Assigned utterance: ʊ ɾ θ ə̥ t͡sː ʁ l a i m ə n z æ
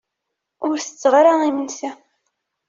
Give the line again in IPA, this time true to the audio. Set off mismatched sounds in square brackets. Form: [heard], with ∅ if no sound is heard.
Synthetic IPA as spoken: ʊ ɾ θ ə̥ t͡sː ʁ [ɾ] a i m ə n [s] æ

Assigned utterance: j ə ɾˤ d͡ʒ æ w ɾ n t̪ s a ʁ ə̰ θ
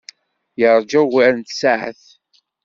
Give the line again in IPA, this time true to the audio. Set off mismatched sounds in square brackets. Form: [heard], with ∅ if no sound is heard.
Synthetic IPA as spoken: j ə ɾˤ d͡ʒ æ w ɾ n t̪ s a [ʕ] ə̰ θ

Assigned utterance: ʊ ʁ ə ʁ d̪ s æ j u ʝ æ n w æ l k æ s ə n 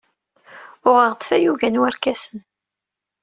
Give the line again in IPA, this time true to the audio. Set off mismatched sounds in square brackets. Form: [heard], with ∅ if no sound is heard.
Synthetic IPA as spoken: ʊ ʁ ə ʁ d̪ [θ] æ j u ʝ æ n w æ [ɾ] k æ s ə n

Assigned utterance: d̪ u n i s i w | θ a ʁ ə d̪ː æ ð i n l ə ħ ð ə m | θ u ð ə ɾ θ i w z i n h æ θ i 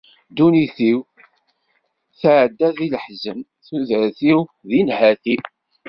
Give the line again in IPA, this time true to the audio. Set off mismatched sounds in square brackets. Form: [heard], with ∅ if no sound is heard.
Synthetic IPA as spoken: d̪ u n i [θ] i w | θ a [ʕ] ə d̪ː æ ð i [∅] l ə ħ [z] ə m | θ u ð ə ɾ θ i w [ð] i n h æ θ i

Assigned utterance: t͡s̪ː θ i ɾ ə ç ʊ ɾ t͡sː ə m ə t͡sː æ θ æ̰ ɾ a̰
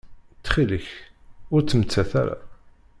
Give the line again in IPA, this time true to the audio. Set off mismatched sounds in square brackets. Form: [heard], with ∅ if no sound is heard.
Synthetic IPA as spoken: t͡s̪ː [χ] i [l] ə ç ʊ ɾ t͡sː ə m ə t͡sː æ θ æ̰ ɾ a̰

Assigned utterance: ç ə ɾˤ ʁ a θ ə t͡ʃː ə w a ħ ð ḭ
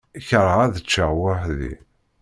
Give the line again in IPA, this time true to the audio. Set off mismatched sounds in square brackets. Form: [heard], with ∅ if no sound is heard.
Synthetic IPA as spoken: ç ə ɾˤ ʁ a [ð] ə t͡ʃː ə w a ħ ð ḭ

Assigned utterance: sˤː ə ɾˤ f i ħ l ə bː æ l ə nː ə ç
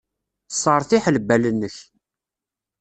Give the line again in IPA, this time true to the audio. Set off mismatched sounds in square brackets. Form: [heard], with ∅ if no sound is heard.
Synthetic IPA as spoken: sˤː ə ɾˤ [θ] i ħ l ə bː æ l ə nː ə ç

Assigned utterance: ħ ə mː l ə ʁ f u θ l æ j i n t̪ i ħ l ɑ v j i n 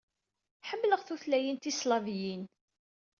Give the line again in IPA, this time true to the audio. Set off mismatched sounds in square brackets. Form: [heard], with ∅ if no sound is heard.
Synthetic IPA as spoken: ħ ə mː l ə ʁ [θ] u θ l æ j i n t̪ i [s] l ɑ v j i n

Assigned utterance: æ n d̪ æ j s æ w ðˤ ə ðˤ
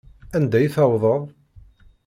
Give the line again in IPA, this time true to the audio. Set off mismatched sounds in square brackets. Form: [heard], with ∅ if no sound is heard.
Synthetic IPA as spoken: æ n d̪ æ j [θ] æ w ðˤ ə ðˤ

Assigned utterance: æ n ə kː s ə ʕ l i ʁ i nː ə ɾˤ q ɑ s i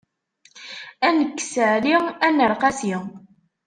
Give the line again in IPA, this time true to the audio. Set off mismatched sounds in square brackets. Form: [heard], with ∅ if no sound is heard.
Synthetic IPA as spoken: æ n ə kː s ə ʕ l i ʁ [æ] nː ə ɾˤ q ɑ s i

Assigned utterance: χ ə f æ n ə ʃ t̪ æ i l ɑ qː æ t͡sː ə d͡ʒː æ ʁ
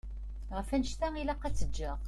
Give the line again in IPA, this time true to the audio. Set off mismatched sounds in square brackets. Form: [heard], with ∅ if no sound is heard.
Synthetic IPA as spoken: [ʁ] ə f æ n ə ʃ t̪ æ i l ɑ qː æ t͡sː ə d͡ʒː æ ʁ

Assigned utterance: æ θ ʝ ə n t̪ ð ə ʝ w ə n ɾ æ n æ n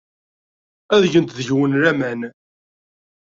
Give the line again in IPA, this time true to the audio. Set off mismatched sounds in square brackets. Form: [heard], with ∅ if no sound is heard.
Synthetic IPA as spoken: æ [ð] ʝ ə n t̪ ð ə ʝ w ə n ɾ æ [m] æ n

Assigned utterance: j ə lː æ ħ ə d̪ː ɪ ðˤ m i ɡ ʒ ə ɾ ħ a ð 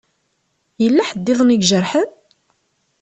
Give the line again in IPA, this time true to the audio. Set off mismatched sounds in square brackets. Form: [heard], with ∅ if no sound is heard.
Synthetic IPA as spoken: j ə lː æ ħ ə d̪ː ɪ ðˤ [n] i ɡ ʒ ə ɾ ħ [ə] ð

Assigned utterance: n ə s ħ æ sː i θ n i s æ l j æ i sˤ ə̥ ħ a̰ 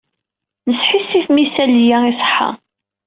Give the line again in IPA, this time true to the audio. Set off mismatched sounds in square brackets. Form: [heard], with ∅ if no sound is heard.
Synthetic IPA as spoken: n ə s ħ [i] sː i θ [m] i s æ l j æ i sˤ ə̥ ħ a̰

